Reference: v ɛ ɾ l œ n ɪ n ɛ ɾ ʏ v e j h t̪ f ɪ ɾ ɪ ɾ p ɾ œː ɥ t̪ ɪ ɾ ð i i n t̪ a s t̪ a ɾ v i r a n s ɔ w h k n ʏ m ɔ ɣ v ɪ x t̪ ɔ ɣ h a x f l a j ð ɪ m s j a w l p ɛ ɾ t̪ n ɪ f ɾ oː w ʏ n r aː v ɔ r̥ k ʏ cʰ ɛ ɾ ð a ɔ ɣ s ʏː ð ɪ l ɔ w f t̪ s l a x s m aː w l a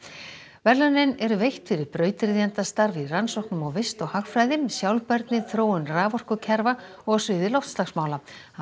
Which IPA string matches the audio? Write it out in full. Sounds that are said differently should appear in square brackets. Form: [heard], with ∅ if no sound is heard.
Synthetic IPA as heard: v ɛ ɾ l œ n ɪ n ɛ ɾ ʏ v e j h t̪ f ɪ ɾ ɪ ɾ p ɾ œː ɥ t̪ ɪ ɾ ð i [a] n t̪ a s t̪ a ɾ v i r a n s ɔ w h k n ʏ m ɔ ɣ v ɪ [s] t̪ ɔ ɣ h a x f [ɾ] a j ð ɪ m s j a w l p ɛ ɾ t̪ n ɪ [θ] ɾ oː w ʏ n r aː v ɔ r̥ k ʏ cʰ ɛ ɾ [v] a ɔ ɣ s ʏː ð ɪ l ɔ w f t̪ s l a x s m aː w l a